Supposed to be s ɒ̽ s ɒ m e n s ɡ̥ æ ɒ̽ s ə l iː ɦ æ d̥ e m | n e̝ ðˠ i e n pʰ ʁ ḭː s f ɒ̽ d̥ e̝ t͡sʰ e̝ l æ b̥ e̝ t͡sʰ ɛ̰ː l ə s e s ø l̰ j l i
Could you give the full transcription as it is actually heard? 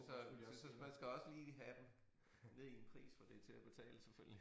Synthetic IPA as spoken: s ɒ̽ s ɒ m æ n s ɡ̥ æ ɒ̽ s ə l iː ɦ æ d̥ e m | n e̝ ðˠ i e n pʰ ʁ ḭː s f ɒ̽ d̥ e̝ t͡sʰ e̝ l æ b̥ e̝ t͡sʰ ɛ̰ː l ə s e f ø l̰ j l i

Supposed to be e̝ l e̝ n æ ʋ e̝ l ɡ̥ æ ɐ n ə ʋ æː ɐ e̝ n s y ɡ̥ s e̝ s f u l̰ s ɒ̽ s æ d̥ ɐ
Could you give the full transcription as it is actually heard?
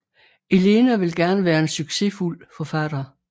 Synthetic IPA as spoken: e̝ l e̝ n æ ʋ e̝ l ɡ̥ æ ɐ n ə ʋ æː ɐ e̝ n s y ɡ̥ s e̝ f u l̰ f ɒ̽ f æ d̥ ɐ

